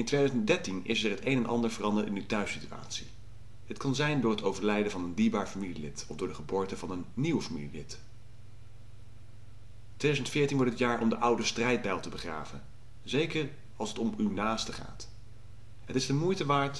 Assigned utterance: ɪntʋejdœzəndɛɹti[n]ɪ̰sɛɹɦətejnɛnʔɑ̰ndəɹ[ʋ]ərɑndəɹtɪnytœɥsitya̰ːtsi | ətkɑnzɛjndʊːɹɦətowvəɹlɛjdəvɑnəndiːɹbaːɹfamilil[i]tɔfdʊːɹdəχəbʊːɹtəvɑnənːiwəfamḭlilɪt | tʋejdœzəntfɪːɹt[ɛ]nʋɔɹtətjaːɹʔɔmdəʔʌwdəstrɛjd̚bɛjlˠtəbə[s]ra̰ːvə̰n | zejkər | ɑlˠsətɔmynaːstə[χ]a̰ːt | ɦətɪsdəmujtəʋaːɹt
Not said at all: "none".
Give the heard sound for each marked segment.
n, v, ɪ, i, χ, χ

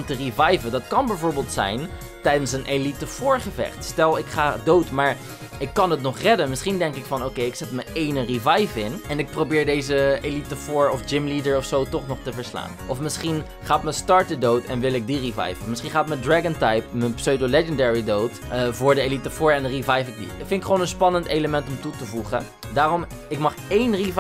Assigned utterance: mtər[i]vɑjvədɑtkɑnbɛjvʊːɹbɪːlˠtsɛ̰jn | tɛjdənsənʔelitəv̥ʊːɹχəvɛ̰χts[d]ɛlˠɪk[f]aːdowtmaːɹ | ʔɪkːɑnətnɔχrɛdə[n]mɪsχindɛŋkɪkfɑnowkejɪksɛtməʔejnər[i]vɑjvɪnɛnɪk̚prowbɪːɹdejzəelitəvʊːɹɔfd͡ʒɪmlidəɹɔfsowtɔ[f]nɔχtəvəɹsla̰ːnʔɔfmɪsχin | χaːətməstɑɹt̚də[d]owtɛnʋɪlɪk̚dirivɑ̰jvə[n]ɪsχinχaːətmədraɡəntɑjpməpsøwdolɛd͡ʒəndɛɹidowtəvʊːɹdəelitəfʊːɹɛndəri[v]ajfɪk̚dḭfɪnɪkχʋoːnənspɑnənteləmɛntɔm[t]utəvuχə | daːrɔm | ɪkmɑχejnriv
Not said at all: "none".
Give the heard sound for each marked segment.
i, t, χ, n, i, χ, d, m, v, t

